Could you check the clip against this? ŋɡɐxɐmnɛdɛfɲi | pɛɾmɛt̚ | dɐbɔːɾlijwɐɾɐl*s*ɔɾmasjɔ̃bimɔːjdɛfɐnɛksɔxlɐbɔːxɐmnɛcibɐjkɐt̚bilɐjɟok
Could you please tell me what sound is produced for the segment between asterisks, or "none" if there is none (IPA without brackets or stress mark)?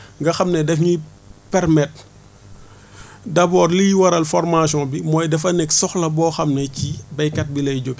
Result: f